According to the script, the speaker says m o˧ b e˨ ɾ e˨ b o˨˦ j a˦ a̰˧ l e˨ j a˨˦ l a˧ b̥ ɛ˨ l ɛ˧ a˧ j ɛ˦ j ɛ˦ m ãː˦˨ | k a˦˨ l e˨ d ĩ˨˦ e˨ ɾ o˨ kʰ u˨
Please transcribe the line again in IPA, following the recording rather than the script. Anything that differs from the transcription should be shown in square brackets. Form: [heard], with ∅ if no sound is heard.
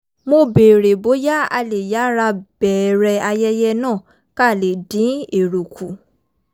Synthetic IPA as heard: m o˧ b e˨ ɾ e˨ b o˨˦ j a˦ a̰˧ l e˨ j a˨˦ [ɾ] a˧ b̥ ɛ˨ [ɾ] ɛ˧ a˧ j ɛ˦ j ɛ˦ [n] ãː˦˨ | k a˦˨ l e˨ d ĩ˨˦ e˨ ɾ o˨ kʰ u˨